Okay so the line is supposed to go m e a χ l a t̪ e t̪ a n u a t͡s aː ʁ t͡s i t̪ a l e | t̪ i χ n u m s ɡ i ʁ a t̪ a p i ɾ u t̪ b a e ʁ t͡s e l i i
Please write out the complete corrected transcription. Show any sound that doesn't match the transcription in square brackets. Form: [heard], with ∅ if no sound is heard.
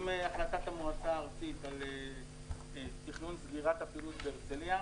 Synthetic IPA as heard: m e a χ l a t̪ [a] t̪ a [m] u a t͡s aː ʁ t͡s i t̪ a l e | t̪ i χ n u [n] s ɡ i ʁ a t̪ a p i [l] u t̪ b [e] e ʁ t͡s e l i [a]

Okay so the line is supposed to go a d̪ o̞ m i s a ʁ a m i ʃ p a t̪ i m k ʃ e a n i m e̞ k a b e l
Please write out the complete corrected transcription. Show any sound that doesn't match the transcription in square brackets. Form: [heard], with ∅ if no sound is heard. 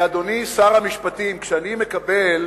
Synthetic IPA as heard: a d̪ o̞ [n] i s a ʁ a m i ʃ p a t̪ i m k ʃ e a n i m e̞ k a b e l

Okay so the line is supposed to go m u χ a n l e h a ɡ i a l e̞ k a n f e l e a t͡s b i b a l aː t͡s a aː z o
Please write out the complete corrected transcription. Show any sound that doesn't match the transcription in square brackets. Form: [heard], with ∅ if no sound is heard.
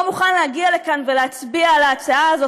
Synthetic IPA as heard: m u χ a n l e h a ɡ i a l e̞ k a n [v] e l e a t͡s b i [∅] a l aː t͡s a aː z o

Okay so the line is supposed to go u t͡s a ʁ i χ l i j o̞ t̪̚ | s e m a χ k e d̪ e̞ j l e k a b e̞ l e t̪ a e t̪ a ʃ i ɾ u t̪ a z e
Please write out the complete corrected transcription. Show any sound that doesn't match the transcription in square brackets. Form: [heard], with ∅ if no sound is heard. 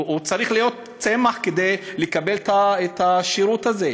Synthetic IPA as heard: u t͡s a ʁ i χ l i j o̞ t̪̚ | [t͡s] e m a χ k e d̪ e̞ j l e k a b e̞ l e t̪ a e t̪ a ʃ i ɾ u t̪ a z e

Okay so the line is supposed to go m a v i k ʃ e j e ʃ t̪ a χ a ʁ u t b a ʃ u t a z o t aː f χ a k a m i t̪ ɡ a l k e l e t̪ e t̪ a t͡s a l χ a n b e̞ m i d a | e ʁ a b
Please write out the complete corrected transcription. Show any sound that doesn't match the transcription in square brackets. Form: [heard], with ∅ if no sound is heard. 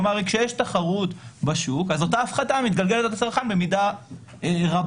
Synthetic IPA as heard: m a [ʁ] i k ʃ e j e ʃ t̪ a χ a ʁ u t b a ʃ u [k] a z o t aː f χ a [t] a m i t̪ ɡ a l [ɡ] e l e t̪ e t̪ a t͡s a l χ a n b e̞ m i d a | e ʁ a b

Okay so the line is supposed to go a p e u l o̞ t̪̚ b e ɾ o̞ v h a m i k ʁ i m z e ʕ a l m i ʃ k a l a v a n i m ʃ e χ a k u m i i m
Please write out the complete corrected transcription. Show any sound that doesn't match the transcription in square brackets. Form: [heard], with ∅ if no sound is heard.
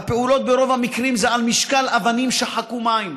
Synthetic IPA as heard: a p e u l o̞ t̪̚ b e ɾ o̞ v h a m i k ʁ i m z e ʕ a l m i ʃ k a l a v a n i m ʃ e [ħ] a k u m [a] i m

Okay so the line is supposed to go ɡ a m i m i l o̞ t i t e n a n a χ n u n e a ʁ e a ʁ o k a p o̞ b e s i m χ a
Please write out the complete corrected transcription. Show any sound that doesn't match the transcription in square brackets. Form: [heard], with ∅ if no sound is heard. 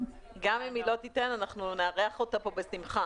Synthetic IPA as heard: ɡ a m i m i l o̞ t i t e n a n a χ n u n e a ʁ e a [χ] o [t] a p o̞ b e s i m χ a

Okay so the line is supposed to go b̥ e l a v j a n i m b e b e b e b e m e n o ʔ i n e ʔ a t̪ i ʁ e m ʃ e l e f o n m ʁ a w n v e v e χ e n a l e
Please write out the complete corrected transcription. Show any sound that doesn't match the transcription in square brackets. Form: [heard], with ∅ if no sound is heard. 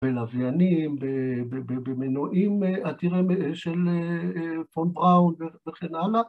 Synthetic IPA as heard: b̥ e l a v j a n i m b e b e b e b e m e n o ʔ i [m] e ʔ a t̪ i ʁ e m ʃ e l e f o n [b] ʁ a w n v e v e χ e n a l [a]

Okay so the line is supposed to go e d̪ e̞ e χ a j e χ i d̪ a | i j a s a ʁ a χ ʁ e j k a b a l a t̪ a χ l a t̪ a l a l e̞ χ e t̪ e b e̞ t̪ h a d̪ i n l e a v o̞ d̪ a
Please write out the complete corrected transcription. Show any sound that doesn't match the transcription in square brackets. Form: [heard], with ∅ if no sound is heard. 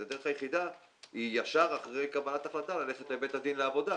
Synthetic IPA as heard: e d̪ e̞ e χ a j e χ i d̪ a | i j a [ʃ] a ʁ a χ ʁ e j k a b a l a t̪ a χ l a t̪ a l a l e̞ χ e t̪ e b e̞ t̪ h a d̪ i n l e a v o̞ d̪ a

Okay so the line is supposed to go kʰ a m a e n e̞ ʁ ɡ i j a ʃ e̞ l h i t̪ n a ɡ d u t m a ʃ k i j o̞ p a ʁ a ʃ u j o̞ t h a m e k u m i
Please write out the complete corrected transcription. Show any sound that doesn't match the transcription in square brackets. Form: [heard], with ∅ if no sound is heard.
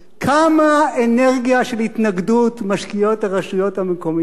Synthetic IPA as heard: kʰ a m a e n e̞ ʁ ɡ i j a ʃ e̞ l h i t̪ n a ɡ d u t m a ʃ k i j o̞ [t] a ʁ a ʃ u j o̞ t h a m e k [o] m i

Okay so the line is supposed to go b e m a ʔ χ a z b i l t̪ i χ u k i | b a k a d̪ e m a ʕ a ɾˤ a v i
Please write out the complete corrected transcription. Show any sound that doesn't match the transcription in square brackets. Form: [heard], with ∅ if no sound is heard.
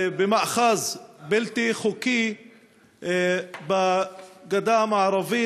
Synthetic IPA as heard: b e m a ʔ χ a z b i l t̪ i χ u k i | b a [ɡ] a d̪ [a] m a ʕ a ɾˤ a v i

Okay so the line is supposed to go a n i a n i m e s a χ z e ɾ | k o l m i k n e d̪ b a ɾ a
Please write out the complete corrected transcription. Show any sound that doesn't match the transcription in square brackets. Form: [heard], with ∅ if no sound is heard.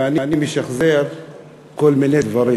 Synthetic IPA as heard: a n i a n i m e [ʃ] a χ z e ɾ | k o l m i [∅] n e d̪ [v] a ɾ [i]

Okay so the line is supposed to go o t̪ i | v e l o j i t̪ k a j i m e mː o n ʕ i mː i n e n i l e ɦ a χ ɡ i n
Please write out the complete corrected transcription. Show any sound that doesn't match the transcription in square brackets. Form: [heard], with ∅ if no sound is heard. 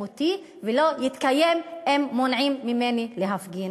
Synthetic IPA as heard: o t̪ i | v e l o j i t̪ k a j [e] m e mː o n ʕ i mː i [m] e n i l e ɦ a [f] ɡ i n

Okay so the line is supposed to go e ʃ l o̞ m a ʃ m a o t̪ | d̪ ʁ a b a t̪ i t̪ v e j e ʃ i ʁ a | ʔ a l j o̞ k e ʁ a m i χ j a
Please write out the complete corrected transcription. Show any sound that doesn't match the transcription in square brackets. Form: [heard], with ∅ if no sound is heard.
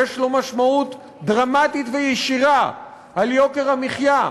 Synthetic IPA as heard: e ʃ l o̞ m a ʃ m a [u] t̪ | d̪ ʁ a [m] a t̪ i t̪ v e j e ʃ i ʁ a | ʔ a l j o̞ k e ʁ a m i χ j a

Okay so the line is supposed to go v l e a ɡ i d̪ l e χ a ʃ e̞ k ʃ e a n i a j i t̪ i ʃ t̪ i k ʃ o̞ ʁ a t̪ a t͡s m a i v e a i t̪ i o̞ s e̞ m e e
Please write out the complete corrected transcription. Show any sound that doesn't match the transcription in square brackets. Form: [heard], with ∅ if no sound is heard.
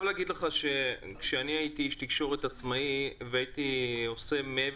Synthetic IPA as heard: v l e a ɡ i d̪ l e χ a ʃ e̞ k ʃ e a n i a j i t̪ i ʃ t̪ i k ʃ o̞ ʁ [e] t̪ a t͡s m a i v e a i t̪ i o̞ s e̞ m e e

